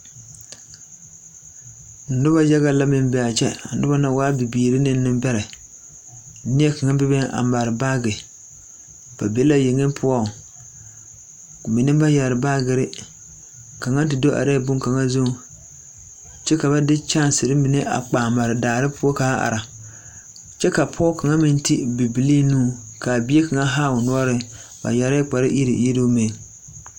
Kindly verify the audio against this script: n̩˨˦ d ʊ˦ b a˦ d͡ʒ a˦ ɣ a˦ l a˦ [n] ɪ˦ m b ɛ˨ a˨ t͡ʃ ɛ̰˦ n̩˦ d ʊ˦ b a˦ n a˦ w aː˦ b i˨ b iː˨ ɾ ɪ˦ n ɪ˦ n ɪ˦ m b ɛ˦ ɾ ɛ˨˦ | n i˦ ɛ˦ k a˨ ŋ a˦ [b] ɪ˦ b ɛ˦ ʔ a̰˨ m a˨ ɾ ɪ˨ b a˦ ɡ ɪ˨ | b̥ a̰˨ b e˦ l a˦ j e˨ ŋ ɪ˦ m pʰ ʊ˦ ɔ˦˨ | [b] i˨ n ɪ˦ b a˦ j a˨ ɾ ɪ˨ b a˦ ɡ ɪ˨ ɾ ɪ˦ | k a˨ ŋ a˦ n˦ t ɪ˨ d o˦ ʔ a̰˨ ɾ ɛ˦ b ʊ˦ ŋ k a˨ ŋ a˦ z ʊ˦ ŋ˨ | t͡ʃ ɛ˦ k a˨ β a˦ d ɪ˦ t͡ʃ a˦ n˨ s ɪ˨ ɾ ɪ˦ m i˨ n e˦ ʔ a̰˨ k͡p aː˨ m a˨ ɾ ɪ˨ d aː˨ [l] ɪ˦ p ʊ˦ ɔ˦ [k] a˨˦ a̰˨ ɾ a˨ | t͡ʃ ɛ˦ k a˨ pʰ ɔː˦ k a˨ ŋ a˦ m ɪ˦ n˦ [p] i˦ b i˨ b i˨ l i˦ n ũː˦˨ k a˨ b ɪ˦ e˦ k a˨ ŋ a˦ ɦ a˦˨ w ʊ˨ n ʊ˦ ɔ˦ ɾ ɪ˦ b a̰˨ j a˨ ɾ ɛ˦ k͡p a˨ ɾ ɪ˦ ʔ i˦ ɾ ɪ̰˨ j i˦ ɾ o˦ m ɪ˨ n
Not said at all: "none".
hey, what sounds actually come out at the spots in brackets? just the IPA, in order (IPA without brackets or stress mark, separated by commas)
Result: m, b, m, ɾ, k, t